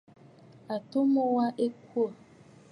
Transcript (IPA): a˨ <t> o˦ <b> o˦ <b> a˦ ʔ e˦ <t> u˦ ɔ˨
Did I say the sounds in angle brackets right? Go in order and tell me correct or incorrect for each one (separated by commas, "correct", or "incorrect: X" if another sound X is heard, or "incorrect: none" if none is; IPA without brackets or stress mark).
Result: correct, incorrect: m, incorrect: w, incorrect: k